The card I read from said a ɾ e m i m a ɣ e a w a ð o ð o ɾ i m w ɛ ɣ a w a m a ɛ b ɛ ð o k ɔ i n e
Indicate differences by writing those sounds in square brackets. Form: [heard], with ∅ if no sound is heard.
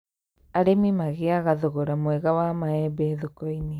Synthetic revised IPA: a ɾ e m i m a ɣ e a [ɣ] a ð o [ɣ] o ɾ [a] m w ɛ ɣ a w a m a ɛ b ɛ ð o k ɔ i n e